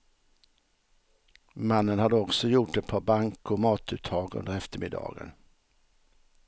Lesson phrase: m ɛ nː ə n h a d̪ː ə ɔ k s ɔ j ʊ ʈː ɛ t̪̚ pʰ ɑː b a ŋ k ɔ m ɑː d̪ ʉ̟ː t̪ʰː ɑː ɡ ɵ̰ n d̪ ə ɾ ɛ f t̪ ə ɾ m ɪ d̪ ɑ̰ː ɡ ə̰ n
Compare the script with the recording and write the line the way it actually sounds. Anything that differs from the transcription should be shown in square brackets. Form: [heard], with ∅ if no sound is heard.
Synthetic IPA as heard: m [a] nː ə n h a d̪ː ə ɔ k s ɔ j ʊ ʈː ɛ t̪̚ pʰ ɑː b a ŋ k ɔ m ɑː [t̪] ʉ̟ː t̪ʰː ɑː ɡ ɵ̰ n d̪ ə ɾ ɛ f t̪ ə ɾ m ɪ d̪ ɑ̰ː ɡ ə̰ n